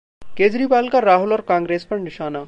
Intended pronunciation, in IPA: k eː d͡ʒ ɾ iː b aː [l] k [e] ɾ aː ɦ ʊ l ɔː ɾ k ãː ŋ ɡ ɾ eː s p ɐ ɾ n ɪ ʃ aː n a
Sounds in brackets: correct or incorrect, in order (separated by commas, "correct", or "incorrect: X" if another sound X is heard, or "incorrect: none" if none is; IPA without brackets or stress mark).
correct, incorrect: a